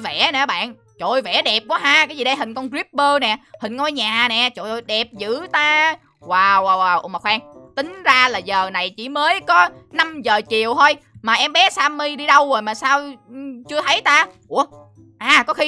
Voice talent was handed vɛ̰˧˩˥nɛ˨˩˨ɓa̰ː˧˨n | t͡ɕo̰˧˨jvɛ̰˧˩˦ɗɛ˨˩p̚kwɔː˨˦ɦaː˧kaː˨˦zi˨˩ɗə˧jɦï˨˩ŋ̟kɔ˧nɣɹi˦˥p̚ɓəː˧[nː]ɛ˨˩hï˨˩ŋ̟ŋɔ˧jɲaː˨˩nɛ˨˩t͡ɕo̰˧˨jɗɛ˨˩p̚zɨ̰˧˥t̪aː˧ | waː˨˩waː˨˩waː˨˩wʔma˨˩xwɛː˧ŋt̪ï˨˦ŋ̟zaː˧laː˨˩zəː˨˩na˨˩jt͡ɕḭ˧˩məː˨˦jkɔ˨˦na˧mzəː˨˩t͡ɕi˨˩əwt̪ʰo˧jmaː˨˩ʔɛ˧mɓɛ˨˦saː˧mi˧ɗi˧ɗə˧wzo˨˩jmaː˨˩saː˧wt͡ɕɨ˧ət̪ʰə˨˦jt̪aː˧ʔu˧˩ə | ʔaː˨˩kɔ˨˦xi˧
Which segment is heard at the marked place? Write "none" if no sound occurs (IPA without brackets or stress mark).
n